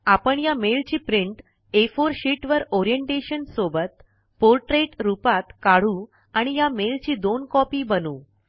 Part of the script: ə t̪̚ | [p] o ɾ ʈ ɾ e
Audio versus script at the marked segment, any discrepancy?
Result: no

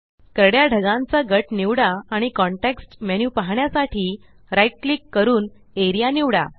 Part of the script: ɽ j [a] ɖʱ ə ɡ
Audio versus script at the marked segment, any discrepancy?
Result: no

